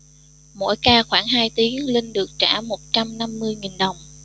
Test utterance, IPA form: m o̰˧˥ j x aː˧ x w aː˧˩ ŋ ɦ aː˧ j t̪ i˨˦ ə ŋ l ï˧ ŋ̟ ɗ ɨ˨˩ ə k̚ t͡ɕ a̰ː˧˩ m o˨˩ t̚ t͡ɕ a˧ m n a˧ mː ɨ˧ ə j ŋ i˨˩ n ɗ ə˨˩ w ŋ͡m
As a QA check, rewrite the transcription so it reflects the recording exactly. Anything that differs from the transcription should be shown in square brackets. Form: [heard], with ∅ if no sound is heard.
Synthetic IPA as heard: m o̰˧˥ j [k] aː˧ x w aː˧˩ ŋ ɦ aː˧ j t̪ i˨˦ ə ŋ l ï˧ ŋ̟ ɗ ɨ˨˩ ə k̚ t͡ɕ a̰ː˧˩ m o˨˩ t̚ t͡ɕ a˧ m n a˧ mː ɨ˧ ə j ŋ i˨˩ n ɗ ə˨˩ w ŋ͡m

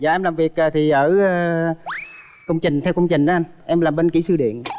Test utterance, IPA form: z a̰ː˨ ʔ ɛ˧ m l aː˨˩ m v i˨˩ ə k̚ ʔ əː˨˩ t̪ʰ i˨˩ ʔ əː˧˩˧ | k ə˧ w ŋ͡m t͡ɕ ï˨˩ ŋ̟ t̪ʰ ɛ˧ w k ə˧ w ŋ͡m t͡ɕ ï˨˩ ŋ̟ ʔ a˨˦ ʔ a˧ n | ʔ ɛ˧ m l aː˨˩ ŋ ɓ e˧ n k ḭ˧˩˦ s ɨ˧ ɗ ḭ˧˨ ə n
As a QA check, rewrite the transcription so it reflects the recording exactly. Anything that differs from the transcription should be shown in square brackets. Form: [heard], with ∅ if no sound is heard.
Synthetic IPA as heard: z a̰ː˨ ʔ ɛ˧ m l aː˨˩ m v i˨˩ ə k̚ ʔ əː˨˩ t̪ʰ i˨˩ ʔ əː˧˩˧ | k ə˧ w ŋ͡m t͡ɕ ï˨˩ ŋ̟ t̪ʰ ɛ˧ w k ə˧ w ŋ͡m t͡ɕ ï˨˩ ŋ̟ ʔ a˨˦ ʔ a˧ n | ʔ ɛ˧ m l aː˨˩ [m] ɓ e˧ n k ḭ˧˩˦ s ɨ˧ ɗ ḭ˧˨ ə n

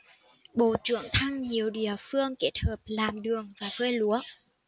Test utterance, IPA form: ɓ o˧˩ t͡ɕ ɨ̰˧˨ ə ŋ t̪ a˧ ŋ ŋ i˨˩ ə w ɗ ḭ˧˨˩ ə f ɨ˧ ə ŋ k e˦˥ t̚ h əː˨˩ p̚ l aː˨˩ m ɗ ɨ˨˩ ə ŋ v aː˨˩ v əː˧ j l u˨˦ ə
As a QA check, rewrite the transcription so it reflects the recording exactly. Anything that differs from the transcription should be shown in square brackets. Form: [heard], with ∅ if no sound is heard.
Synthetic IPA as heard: ɓ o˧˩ t͡ɕ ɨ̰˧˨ ə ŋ [t̪ʰ] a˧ ŋ [ɲ] i˨˩ ə w ɗ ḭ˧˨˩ ə f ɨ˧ ə ŋ k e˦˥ t̚ h əː˨˩ p̚ l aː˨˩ m ɗ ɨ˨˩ ə ŋ v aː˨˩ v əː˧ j l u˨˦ ə

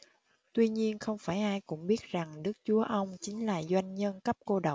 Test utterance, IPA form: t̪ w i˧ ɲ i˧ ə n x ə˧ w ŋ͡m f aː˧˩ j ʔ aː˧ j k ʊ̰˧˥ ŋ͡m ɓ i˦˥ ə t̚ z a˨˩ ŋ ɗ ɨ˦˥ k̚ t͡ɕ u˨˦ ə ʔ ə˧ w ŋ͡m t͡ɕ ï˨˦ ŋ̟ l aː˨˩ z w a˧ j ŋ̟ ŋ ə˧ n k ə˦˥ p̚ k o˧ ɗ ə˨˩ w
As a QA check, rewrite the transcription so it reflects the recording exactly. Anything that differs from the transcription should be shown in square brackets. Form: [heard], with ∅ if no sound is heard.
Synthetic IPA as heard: t̪ w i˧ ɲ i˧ ə n x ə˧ w ŋ͡m f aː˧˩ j ʔ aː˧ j k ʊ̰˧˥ ŋ͡m ɓ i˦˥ ə t̚ z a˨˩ ŋ ɗ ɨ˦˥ k̚ t͡ɕ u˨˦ ə ʔ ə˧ w ŋ͡m t͡ɕ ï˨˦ ŋ̟ l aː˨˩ z w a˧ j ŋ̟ [ɲ] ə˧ n k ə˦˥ p̚ k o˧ ɗ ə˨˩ w

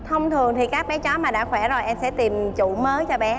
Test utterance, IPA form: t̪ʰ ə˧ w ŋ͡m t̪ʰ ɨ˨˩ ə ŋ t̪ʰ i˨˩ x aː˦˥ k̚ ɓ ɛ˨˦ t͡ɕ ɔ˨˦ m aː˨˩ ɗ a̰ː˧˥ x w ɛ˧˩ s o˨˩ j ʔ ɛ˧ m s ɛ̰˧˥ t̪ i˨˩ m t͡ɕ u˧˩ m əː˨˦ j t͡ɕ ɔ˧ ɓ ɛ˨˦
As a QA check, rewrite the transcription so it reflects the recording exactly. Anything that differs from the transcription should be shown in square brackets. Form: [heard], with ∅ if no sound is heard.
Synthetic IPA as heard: t̪ʰ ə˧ w ŋ͡m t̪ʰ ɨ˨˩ ə ŋ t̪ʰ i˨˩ [k] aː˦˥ k̚ ɓ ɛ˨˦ t͡ɕ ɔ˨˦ m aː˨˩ ɗ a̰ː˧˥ x w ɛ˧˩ [z] o˨˩ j ʔ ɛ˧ m s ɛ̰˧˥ t̪ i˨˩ m t͡ɕ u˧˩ m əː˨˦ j t͡ɕ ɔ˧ ɓ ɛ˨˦

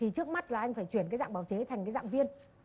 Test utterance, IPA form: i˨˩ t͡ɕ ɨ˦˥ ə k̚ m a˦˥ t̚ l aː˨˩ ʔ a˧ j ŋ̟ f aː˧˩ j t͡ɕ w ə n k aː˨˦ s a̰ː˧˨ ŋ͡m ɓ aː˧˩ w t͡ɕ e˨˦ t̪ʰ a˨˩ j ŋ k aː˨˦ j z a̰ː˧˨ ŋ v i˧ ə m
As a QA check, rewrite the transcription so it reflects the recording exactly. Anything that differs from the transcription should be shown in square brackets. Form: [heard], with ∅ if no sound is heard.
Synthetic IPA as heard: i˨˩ t͡ɕ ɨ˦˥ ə k̚ m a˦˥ t̚ l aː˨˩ ʔ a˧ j ŋ̟ f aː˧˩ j t͡ɕ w ə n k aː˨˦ [z] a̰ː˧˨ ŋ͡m ɓ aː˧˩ w t͡ɕ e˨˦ t̪ʰ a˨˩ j ŋ k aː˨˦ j z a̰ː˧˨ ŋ v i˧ ə [n]

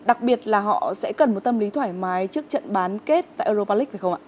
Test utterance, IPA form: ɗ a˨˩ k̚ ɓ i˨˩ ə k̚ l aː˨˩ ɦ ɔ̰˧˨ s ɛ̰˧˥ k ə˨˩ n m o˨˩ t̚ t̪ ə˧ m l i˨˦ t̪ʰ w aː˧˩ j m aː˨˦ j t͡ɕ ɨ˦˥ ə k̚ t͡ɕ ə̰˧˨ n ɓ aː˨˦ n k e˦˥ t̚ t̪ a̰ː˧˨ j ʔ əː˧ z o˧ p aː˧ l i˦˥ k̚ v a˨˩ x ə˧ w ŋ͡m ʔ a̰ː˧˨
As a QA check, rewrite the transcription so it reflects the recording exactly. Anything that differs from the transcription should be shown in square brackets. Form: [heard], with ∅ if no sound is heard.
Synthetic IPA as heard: ɗ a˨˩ k̚ ɓ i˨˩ ə [t̚] l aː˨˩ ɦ ɔ̰˧˨ s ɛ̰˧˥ k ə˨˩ n m o˨˩ t̚ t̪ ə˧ m l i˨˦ t̪ʰ w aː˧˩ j m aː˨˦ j t͡ɕ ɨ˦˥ ə k̚ t͡ɕ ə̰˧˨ n ɓ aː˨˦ n k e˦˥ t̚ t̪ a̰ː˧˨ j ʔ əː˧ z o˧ p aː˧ l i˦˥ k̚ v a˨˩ x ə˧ w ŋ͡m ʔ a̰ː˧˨

